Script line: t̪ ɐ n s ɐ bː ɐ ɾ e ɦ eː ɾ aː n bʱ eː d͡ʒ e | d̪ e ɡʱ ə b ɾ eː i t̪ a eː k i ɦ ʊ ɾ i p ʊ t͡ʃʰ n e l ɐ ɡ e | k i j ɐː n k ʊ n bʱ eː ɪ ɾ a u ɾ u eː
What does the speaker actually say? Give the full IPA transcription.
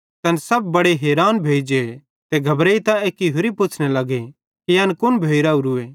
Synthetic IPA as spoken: t̪ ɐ n s ɐ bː ɐ ɽ e ɦ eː ɾ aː n bʱ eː d͡ʒ e | t̪ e ɡʱ ɐ b ɾ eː i t̪ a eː k i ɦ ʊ ɾ i p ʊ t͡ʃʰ n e l ɐ ɡ e | k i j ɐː n k ʊ n bʱ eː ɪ ɾ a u ɾ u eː

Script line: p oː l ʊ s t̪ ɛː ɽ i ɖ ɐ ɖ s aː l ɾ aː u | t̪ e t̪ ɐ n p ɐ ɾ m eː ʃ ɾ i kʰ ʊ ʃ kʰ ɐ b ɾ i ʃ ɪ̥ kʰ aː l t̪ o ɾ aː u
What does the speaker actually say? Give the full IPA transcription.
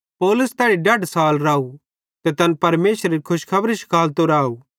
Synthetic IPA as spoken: p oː l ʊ s t̪ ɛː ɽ i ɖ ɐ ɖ s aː l ɾ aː u | t̪ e t̪ ɐ n p ɐ ɾ m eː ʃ ɾ i kʰ ʊ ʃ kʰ ɐ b ɾ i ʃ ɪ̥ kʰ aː l t̪ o ɾ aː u

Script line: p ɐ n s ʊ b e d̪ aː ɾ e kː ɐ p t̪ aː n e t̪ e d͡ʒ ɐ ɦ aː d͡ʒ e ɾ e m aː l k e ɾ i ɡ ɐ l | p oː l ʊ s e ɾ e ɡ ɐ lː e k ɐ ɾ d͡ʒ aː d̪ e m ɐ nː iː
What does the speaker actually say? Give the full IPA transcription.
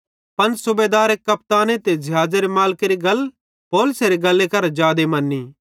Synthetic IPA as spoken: p ɐ n s ʊ b e d̪ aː ɾ e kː ɐ p t̪ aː n e t̪ e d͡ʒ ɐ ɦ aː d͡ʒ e ɾ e m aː l k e ɾ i ɡ ɐ l | p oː l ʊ s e ɾ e ɡ ɐ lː e k ɐ ɾ d͡ʒ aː d̪ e m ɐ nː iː

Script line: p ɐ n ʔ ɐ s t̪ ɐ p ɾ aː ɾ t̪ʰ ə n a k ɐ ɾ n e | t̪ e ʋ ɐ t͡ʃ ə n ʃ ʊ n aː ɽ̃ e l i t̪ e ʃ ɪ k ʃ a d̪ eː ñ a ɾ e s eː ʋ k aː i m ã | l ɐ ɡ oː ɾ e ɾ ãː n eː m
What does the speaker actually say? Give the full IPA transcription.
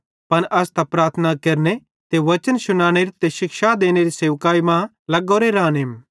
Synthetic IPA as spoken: p ɐ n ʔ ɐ s t̪ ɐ p ɾ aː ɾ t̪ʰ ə n a k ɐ ɾ n e | t̪ e ʋ ɐ t͡ʃ ə n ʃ ʊ n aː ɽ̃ e ɾ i t̪ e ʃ ɪ k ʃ a d̪ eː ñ e ɾ i s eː ʋ k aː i m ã | l ɐ ɡ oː ɾ e ɾ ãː n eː m

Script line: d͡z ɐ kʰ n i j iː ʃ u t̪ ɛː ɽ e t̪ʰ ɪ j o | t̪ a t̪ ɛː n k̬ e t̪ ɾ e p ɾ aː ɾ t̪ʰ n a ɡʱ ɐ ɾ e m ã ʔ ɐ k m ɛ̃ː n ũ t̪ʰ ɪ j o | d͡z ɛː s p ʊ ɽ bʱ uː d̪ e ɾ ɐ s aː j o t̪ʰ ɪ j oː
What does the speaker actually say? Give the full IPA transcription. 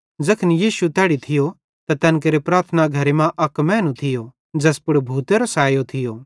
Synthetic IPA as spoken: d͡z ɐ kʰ n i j iː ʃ u t̪ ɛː ɽ i t̪ʰ ɪ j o | t̪ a t̪ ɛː n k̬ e ɾ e p ɾ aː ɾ t̪ʰ n a ɡʱ ɐ ɾ e m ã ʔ ɐ k m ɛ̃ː n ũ t̪ʰ ɪ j o | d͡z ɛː s p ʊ ɽ bʱ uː t̪ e ɾ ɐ s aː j o t̪ʰ ɪ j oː

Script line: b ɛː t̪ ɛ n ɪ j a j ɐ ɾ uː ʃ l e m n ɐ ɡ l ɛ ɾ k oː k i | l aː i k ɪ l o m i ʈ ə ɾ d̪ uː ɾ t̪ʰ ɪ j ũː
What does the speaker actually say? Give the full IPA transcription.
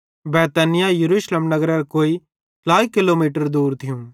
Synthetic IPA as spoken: b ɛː t̪ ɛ n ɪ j a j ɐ ɾ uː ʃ l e m n ɐ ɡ ɾ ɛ ɾ k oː i | l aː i k ɪ l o m iː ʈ ə ɾ d̪ uː ɾ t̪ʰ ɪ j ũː

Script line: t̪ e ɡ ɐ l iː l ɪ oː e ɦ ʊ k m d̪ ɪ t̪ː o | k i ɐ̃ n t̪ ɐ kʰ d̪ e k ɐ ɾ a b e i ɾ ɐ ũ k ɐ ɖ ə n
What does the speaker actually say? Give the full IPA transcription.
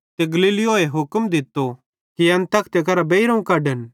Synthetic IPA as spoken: t̪ e ɡ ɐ l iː l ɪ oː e ɦ ʊ k m d̪ ɪ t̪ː o | k i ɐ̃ n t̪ ɐ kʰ t̪ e k ɐ ɾ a b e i ɾ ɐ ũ k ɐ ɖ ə n

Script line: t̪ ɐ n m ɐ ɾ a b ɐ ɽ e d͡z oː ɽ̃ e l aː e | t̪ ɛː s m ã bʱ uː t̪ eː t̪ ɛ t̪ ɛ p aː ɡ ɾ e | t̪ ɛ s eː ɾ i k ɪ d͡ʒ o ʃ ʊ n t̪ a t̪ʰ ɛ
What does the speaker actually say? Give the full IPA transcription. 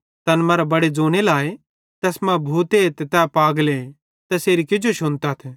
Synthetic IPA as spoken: t̪ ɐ n m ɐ ɾ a b ɐ ɽ e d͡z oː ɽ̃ e l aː e | t̪ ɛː s m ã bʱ uː t̪ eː t̪ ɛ t̪ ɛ p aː ɡ l e | t̪ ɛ s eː ɾ i k ɪ d͡ʒ o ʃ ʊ n t̪ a t̪ʰ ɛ

